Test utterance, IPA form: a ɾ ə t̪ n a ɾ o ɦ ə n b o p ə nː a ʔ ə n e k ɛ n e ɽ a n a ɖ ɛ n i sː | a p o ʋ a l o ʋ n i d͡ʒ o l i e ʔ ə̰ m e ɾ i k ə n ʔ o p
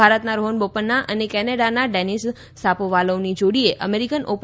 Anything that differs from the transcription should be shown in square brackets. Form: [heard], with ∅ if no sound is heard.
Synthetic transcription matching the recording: a ɾ ə t̪ n a ɾ o ɦ ə n b o p ə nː a ʔ ə n e k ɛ n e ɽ a n a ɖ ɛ n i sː | a p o ʋ a l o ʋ n i d͡ʒ o [ɽ] i e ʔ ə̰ m e ɾ i k ə n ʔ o p